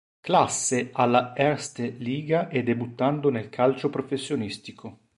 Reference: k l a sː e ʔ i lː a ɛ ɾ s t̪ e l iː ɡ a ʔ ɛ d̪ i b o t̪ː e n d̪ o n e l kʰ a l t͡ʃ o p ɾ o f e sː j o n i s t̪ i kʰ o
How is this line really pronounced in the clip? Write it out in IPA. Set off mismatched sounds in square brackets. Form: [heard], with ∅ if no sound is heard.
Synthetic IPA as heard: k l a sː e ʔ [a] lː a ɛ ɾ s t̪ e l iː ɡ a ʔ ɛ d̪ [e] b [u] t̪ː [a] n d̪ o n e l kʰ a l t͡ʃ o p ɾ o f e sː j o n i s t̪ i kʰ o